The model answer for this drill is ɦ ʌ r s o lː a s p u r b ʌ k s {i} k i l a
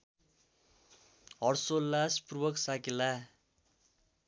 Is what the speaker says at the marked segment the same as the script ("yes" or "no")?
no